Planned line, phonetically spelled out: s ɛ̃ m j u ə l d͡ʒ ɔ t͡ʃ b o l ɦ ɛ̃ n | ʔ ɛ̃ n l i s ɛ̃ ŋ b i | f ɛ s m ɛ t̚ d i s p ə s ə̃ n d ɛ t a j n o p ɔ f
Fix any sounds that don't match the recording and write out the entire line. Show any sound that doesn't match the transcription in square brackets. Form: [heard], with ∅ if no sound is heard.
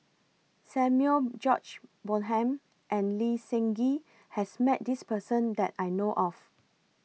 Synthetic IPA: s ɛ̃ m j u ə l d͡ʒ ɔ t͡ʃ b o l ɦ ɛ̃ [m] | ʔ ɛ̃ n l i s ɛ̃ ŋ [ɡ] i | [h] ɛ s m ɛ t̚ d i s p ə s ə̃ n d ɛ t a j n o [ʔ] ɔ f